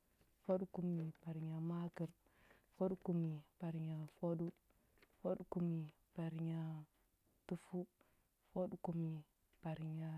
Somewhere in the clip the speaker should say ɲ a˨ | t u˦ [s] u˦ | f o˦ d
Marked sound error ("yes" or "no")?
yes